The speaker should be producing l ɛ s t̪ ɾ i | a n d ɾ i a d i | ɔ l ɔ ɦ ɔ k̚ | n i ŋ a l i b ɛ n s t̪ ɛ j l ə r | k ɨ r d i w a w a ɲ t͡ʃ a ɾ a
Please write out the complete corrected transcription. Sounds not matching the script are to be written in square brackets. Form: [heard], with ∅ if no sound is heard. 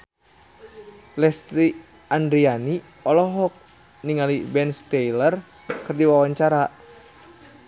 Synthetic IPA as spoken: l ɛ s t̪ ɾ i | a n d ɾ i a [n] i | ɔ l ɔ ɦ ɔ k̚ | n i ŋ a l i b ɛ n s t̪ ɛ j l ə r | k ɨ r d i w a w a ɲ t͡ʃ a ɾ a